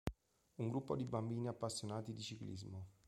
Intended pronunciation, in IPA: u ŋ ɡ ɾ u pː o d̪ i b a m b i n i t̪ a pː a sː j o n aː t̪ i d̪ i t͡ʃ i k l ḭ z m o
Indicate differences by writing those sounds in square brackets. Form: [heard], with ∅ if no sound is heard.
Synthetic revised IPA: u ŋ ɡ ɾ u pː o d̪ i b a m b [iː] n i [∅] a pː a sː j o n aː t̪ i d̪ i t͡ʃ i k l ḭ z m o